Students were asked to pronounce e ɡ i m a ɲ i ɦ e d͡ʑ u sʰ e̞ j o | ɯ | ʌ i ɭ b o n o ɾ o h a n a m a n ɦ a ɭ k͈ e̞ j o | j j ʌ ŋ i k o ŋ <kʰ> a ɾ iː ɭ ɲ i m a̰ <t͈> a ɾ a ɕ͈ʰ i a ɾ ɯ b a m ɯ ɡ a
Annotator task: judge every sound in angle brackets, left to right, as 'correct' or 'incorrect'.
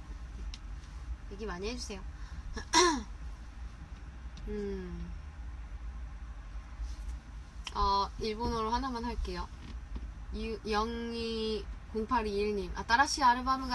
incorrect: pʰ, correct

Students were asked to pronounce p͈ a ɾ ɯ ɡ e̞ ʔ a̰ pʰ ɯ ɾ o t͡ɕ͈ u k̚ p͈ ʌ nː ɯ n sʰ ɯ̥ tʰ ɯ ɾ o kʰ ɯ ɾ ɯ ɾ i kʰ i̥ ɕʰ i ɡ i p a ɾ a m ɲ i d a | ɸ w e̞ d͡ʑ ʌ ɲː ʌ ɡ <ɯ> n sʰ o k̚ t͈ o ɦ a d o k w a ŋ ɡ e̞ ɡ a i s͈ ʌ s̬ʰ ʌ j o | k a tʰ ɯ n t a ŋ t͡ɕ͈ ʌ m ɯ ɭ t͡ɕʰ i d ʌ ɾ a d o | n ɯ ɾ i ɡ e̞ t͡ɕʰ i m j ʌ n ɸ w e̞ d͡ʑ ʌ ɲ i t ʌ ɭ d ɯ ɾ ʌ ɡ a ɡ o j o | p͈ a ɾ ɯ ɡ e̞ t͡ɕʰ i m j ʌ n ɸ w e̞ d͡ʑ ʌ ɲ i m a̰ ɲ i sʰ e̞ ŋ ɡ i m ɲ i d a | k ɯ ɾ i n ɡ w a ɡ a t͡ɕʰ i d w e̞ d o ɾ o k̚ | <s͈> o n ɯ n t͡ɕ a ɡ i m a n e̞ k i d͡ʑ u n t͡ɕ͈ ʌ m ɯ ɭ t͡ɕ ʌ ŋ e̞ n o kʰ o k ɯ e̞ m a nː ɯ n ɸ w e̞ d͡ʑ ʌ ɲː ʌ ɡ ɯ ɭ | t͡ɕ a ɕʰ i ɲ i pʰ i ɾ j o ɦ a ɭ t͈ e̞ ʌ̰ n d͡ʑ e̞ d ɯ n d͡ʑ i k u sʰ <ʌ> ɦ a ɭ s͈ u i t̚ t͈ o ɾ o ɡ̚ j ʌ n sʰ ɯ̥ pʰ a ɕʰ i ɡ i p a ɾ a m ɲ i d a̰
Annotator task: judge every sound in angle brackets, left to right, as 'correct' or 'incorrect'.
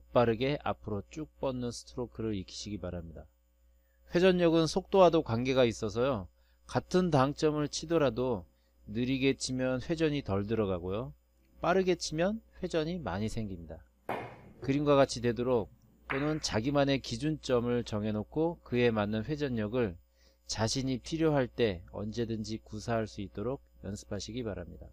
correct, incorrect: t͈, incorrect: a

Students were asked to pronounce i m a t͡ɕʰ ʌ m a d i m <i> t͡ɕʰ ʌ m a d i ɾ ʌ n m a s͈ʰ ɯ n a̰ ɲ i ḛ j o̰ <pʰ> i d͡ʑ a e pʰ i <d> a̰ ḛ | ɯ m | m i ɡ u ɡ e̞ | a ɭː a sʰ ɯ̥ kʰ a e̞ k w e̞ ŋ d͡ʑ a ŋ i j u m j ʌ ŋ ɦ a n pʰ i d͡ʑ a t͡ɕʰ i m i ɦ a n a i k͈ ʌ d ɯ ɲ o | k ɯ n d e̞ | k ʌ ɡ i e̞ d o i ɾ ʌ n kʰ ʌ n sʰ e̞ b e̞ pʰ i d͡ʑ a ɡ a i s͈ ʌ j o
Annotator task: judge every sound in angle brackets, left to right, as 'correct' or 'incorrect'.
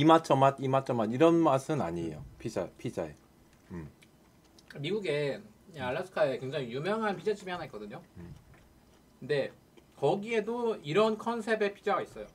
incorrect: a, correct, incorrect: d͡ʑ

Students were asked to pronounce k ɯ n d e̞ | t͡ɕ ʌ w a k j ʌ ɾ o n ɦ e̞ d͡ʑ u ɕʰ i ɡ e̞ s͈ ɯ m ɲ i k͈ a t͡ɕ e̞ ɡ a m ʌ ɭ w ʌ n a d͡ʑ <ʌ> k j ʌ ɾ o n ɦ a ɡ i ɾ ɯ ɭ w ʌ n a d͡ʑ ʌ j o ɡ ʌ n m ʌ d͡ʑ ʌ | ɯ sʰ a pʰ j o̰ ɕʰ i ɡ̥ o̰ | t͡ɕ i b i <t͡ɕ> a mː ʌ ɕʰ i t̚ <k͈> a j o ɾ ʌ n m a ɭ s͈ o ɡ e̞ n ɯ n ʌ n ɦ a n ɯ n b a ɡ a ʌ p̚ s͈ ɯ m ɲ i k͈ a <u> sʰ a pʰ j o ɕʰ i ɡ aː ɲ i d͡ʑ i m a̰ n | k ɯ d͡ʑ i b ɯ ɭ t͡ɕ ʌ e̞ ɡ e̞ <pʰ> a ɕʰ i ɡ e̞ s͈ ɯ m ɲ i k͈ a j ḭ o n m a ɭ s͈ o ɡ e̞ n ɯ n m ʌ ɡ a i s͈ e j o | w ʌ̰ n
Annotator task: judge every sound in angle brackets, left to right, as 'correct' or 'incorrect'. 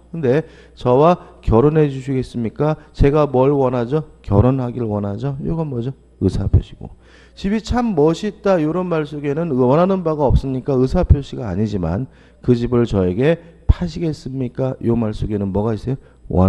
correct, incorrect: t͡ɕʰ, incorrect: t͈, incorrect: ɯ, correct

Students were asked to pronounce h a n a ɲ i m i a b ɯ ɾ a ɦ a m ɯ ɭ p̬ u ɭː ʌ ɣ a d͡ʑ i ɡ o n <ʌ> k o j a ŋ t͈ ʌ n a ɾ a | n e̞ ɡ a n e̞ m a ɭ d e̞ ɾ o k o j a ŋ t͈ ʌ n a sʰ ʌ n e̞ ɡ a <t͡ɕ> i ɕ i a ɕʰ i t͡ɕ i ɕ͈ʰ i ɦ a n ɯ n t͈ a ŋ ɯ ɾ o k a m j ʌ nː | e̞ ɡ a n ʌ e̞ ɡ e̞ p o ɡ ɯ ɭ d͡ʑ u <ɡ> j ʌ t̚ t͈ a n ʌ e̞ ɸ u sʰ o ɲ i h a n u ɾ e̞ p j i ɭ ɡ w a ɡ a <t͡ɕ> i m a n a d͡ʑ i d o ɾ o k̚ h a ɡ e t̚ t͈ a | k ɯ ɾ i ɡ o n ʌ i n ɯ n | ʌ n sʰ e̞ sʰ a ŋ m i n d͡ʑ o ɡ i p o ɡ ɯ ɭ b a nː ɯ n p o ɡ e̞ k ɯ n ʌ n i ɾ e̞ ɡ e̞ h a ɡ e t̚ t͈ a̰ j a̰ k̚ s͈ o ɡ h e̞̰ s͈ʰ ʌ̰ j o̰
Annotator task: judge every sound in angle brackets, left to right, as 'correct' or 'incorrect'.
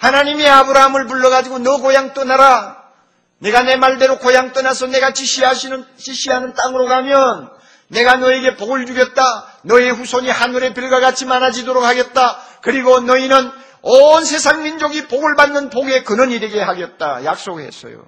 correct, correct, correct, incorrect: t͡ɕʰ

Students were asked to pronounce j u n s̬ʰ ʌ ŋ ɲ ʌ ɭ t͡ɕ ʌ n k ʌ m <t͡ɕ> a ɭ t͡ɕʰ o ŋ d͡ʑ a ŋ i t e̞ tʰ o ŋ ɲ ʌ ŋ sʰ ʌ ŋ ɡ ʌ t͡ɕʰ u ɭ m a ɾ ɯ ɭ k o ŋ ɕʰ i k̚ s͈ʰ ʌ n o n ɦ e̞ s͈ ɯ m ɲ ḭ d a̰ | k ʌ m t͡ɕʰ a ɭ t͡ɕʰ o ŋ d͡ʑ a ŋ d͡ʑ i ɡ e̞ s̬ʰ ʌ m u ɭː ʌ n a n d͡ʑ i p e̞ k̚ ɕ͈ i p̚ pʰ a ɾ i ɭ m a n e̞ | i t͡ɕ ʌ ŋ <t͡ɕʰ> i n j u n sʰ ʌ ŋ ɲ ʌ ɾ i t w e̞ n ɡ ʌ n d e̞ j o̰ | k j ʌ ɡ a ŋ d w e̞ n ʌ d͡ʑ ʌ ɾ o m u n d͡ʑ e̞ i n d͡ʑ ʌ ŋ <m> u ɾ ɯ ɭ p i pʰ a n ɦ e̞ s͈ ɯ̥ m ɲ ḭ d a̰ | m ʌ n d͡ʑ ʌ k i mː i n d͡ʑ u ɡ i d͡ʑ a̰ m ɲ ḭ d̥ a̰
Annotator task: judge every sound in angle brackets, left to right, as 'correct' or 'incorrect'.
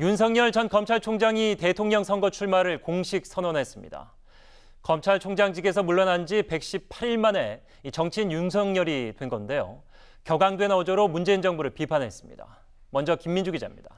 incorrect: t͡ɕʰ, correct, incorrect: b

